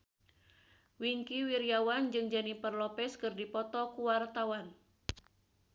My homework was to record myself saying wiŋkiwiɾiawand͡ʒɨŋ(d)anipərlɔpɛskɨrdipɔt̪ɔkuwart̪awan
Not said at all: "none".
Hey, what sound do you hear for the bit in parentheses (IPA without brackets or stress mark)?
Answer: d͡ʒ